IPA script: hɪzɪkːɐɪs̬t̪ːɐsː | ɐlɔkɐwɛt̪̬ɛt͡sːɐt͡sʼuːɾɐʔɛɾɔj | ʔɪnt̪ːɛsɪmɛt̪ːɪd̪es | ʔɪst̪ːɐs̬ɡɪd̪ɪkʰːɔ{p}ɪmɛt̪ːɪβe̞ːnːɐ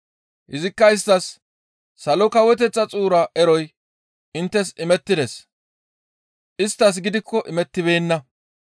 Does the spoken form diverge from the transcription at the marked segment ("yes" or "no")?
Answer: yes